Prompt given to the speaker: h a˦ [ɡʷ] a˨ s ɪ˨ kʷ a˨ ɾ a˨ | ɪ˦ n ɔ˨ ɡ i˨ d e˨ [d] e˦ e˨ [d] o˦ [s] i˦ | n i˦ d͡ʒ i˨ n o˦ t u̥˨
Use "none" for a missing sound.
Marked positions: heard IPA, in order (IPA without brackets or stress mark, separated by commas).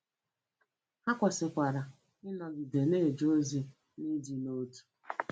kʷ, n, d͡ʒ, z